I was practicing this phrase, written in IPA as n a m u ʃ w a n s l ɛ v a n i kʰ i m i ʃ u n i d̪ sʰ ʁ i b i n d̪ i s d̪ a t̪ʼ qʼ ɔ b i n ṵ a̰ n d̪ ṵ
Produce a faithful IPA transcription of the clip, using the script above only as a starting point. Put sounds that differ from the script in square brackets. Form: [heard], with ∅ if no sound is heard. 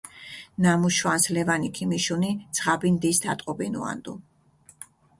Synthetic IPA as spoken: n a m u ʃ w a n s l ɛ v a n i kʰ i m i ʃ u n i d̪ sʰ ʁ [a] b i n d̪ i s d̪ a t̪ʼ qʼ ɔ b i n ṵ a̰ n d̪ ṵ